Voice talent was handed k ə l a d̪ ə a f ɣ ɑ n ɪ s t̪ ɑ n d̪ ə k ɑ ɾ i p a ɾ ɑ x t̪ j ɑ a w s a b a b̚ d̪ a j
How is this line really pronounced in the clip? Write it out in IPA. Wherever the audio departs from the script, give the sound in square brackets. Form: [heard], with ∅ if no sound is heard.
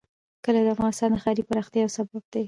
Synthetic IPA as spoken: k ə l a d̪ ə a f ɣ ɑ n ɪ s t̪ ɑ n d̪ ə [x] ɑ ɾ i p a ɾ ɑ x t̪ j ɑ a w s a b a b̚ d̪ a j